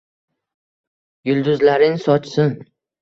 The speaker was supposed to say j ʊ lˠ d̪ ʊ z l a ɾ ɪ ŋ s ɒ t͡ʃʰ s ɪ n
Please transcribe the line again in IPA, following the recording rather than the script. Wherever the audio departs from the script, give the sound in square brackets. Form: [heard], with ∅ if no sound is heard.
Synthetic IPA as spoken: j ʊ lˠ d̪ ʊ z l a ɾ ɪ ŋ s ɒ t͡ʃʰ s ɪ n